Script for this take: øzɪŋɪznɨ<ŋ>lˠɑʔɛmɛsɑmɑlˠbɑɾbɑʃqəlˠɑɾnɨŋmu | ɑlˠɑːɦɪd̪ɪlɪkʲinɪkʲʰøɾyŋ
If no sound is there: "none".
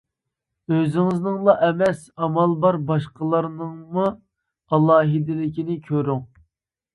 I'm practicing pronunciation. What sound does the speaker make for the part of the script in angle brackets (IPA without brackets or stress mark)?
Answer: ŋ